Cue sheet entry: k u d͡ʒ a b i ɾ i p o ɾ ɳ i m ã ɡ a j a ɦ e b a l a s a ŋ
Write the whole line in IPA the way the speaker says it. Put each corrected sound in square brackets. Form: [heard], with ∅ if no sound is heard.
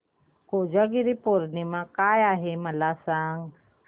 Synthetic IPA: k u d͡ʒ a [ɡ] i ɾ i p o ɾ [n] i m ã [k] a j a ɦ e [m] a l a s a ŋ